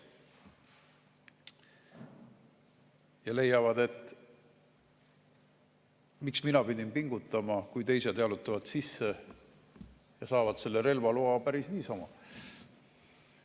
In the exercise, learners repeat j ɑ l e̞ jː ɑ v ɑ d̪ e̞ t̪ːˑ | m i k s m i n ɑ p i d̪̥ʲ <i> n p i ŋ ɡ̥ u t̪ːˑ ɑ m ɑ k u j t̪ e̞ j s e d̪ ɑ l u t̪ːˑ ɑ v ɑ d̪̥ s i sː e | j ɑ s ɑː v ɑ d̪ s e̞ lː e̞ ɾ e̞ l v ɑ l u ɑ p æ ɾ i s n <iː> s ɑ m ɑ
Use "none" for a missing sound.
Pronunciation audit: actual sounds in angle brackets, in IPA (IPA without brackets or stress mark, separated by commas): i, iː